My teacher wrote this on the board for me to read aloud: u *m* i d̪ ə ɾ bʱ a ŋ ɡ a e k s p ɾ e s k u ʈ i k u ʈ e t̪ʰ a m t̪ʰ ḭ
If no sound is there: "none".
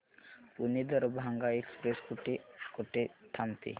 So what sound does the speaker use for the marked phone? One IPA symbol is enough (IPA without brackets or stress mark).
n